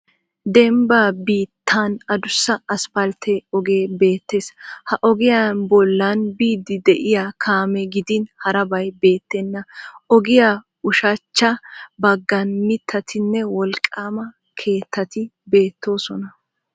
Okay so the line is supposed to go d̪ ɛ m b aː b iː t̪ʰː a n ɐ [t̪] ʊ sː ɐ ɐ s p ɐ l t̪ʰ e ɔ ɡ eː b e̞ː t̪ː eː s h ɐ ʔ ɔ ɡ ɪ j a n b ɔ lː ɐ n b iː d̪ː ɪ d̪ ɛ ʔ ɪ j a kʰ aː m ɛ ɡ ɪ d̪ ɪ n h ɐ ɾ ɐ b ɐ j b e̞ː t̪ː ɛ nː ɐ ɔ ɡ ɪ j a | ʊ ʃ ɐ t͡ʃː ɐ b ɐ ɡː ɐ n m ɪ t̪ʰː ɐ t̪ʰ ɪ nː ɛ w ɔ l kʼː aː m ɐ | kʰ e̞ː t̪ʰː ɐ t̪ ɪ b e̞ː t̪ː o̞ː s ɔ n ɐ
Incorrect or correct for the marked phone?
incorrect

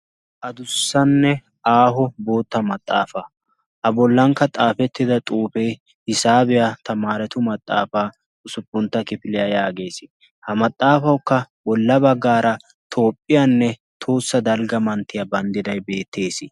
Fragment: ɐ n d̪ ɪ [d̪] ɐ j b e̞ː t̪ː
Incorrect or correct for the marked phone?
correct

